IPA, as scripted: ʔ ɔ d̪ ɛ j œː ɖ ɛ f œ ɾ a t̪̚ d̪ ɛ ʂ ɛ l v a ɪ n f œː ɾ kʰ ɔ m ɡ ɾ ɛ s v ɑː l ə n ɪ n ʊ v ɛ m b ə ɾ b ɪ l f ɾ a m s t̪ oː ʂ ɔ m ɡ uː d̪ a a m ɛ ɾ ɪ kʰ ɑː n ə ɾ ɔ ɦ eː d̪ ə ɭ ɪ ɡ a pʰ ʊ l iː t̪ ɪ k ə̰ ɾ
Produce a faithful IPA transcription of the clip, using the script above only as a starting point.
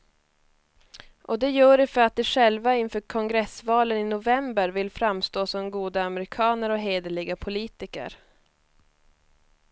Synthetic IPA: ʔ ɔ d̪ ɛ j œː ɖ ɛ f œ ɾ a t̪̚ d̪ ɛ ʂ ɛ l v a ɪ n f œː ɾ kʰ ɔ ŋ ɡ ɾ ɛ s v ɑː l ə n ɪ n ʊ v ɛ m b ə ɾ v ɪ l f ɾ a m s t̪ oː s ɔ m ɡ uː d̪ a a m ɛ ɾ ɪ kʰ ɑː n ə ɾ ɔ ɦ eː d̪ ə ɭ ɪ ɡ a pʰ ʊ l iː t̪ ɪ k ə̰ ɾ